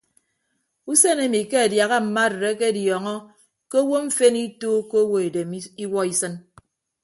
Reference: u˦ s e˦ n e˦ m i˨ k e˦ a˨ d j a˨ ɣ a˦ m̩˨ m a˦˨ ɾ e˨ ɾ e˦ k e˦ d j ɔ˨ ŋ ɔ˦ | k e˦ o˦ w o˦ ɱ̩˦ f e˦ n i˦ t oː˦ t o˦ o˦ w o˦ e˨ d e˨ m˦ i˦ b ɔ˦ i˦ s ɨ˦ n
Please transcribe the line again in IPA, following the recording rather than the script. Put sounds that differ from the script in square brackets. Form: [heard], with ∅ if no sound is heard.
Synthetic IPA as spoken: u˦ s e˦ n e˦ m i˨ k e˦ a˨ d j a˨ ɣ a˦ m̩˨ m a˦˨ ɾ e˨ ɾ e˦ k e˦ d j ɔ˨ ŋ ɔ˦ | k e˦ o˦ w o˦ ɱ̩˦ f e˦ n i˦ t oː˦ [k] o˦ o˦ w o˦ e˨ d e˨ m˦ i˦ [w] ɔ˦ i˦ s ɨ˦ n